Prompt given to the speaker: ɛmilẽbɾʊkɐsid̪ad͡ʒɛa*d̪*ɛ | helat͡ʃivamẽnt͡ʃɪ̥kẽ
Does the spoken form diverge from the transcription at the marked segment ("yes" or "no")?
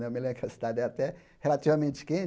yes